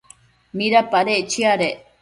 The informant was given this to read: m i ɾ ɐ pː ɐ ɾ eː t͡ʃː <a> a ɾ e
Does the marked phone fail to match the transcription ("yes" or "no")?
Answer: yes